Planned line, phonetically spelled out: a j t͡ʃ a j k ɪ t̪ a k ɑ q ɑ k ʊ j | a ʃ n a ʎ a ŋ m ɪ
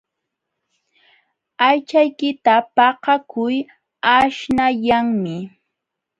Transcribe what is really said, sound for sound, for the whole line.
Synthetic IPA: a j t͡ʃ a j k ɪ t̪ a p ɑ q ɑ k ʊ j | a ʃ n a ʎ a ŋ m ɪ